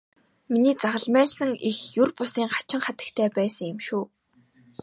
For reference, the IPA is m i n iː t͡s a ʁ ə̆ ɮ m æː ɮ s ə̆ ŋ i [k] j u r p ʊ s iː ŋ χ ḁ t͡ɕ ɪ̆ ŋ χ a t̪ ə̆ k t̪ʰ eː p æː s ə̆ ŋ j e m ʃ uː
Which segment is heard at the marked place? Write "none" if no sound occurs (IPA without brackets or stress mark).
x